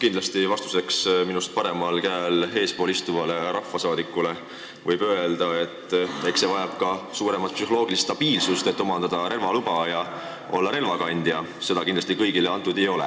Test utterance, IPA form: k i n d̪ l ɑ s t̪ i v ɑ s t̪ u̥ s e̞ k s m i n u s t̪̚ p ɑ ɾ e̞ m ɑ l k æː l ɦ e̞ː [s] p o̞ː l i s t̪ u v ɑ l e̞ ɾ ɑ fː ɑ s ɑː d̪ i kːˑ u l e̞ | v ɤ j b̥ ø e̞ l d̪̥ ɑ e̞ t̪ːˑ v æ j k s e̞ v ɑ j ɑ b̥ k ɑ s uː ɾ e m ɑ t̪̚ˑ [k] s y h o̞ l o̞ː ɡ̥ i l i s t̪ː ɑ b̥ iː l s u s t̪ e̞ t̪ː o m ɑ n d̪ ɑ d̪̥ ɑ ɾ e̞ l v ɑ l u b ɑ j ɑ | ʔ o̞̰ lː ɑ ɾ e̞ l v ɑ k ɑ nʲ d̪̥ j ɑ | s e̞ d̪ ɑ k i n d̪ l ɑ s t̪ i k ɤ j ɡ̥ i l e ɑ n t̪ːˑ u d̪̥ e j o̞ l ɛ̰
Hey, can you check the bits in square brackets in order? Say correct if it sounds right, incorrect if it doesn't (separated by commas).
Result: correct, incorrect